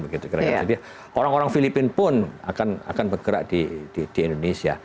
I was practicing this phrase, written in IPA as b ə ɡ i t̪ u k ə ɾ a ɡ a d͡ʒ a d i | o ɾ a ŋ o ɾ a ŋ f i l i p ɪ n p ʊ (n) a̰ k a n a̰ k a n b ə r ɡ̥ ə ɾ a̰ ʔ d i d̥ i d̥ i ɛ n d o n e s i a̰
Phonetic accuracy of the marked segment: correct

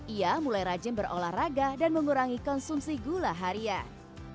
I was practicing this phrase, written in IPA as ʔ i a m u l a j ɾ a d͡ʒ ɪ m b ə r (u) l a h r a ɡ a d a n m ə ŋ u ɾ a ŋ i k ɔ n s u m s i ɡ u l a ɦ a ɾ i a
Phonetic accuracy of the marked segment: incorrect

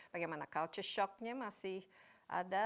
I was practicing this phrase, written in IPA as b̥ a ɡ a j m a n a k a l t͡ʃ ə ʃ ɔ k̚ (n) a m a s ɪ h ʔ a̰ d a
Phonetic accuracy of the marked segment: incorrect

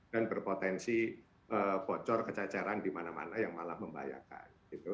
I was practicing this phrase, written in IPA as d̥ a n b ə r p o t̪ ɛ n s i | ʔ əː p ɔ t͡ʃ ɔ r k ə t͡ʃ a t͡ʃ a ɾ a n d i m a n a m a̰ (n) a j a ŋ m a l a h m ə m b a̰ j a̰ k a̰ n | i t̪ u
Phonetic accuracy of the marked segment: correct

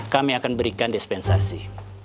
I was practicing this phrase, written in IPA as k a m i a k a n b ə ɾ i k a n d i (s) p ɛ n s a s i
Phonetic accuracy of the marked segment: correct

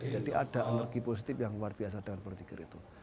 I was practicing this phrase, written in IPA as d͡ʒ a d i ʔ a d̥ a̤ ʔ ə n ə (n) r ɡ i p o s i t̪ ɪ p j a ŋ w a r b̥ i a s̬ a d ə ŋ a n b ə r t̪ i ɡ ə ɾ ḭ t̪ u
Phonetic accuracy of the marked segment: incorrect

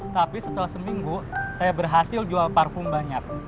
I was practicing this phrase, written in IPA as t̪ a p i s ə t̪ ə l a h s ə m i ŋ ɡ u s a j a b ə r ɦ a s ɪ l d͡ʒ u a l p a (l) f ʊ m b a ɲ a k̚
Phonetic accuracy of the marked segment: incorrect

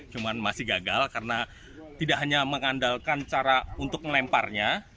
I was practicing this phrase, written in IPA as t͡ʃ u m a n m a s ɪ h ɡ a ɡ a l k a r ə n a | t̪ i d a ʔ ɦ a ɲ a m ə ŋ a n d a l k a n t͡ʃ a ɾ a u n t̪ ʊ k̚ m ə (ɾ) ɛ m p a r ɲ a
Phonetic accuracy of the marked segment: incorrect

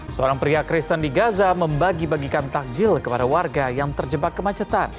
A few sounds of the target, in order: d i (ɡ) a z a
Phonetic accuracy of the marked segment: correct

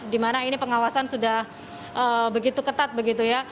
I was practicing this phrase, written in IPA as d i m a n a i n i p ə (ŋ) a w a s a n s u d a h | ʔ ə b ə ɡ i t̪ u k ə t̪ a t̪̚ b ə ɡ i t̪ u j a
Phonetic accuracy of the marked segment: correct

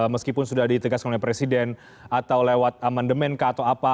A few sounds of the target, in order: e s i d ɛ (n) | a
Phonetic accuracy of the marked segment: correct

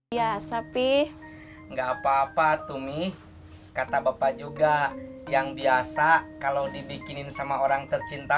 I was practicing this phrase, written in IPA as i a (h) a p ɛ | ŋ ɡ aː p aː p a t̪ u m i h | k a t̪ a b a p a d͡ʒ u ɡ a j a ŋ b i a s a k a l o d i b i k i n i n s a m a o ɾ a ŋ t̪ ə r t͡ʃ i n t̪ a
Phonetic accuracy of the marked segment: incorrect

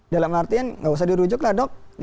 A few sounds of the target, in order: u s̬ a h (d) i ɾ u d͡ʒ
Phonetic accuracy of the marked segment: correct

